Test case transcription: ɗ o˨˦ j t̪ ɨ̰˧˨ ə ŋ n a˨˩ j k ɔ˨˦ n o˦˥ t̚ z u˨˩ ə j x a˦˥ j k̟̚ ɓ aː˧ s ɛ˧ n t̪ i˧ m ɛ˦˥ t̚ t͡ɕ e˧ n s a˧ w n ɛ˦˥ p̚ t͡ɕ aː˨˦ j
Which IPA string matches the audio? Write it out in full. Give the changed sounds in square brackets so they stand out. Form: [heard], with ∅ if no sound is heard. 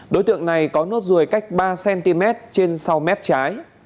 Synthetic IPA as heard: ɗ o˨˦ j t̪ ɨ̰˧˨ ə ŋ n a˨˩ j k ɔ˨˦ n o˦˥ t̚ z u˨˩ ə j [k] a˦˥ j k̟̚ ɓ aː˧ s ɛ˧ n t̪ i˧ m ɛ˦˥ t̚ t͡ɕ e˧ n s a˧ w [m] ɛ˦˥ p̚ t͡ɕ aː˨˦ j